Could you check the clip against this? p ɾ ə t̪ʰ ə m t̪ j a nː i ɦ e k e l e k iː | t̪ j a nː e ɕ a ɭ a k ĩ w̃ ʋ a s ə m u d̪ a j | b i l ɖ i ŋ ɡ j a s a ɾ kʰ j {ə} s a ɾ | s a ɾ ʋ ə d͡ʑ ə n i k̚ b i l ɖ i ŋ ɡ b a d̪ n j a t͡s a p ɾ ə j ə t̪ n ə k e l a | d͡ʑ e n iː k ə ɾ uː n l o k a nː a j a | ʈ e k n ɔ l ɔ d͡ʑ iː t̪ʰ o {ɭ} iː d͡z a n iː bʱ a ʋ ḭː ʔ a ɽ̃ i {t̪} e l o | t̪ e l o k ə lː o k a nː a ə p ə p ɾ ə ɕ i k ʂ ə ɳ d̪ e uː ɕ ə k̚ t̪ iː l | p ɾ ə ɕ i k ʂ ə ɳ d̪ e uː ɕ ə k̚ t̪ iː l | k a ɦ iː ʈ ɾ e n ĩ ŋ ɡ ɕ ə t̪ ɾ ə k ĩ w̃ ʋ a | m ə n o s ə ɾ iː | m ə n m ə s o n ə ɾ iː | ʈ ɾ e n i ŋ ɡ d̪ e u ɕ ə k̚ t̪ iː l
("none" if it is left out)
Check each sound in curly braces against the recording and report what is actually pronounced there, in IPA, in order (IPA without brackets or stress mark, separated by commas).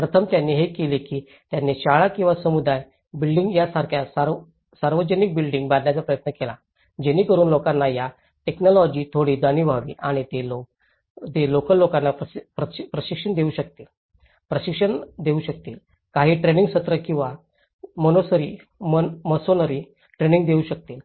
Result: a, ɽ, t̪